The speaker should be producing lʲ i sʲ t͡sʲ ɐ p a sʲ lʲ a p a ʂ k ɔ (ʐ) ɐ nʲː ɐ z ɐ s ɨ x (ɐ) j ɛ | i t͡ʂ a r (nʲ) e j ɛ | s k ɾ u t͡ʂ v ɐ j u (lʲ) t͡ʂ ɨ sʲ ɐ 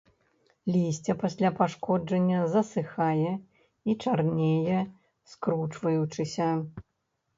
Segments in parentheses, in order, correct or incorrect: incorrect: d͡ʐ, incorrect: a, correct, incorrect: none

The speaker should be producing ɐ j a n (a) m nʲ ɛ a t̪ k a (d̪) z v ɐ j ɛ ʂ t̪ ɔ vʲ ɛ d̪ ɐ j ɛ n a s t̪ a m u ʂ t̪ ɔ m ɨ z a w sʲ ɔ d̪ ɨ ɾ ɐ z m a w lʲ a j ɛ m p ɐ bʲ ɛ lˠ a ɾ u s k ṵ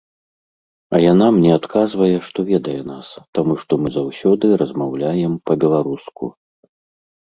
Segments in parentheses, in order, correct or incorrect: correct, incorrect: none

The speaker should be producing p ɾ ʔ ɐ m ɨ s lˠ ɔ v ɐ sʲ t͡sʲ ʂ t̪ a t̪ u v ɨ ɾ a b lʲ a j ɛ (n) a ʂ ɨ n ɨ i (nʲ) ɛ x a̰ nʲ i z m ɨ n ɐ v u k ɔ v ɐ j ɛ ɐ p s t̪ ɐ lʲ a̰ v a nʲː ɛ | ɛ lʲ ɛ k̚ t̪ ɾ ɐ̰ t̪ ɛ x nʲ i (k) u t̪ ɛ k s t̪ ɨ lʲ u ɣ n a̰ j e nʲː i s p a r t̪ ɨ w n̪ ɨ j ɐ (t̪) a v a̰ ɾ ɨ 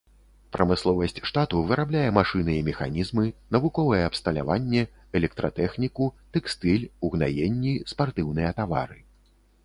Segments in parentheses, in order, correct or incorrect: incorrect: m, incorrect: mʲ, correct, correct

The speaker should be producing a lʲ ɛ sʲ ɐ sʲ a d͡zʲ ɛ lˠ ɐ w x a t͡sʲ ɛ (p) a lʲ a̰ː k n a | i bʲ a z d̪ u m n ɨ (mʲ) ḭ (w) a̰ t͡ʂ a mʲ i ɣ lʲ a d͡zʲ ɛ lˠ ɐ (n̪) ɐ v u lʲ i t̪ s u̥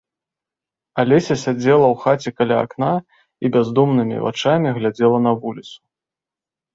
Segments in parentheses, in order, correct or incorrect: incorrect: k, correct, incorrect: v, correct

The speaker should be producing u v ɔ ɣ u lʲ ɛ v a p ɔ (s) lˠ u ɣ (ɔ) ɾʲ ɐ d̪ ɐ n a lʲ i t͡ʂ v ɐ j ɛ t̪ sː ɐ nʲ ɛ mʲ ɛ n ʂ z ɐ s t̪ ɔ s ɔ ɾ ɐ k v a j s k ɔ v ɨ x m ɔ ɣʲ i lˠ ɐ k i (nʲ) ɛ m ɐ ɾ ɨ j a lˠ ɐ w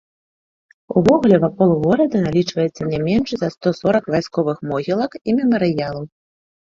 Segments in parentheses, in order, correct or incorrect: incorrect: none, correct, incorrect: mʲ

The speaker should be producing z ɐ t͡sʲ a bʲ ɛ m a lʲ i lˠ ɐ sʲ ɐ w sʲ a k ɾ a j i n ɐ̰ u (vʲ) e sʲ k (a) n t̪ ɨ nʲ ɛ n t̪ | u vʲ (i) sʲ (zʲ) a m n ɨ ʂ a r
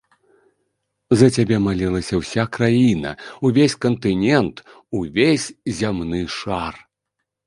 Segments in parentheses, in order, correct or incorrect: correct, incorrect: ɐ, incorrect: e, correct

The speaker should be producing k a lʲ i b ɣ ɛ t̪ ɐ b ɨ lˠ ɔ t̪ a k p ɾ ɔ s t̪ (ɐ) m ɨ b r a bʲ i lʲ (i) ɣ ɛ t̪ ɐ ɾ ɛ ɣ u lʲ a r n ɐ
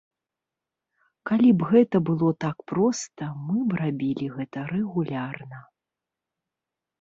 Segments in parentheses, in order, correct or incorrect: correct, correct

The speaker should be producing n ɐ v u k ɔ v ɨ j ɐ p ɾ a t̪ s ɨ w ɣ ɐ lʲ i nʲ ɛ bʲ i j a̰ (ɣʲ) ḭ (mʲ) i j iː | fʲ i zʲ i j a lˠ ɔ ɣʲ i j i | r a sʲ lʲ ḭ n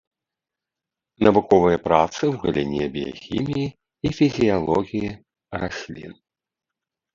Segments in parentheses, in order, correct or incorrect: incorrect: xʲ, correct

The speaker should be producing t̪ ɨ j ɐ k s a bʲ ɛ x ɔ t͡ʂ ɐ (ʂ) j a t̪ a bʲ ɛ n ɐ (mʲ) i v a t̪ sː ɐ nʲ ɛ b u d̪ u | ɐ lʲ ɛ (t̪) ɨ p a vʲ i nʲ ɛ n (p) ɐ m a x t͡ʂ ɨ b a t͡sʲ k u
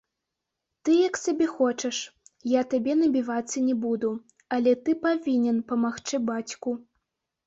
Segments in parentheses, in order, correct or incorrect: correct, incorrect: bʲ, correct, correct

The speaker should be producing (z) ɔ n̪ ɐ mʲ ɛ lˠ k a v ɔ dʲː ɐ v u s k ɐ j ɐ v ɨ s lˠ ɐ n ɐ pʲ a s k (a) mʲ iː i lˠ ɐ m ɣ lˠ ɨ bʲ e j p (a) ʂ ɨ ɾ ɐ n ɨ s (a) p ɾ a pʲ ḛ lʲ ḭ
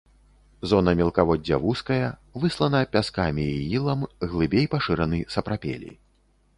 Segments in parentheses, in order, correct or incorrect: correct, correct, correct, incorrect: ɐ

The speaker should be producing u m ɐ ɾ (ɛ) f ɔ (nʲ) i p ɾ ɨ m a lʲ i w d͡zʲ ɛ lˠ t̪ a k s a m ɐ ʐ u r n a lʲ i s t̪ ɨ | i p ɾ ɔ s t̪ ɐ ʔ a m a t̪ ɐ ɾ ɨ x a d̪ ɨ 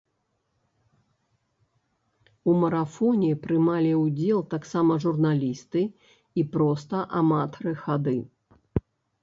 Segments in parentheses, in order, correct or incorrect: incorrect: a, correct

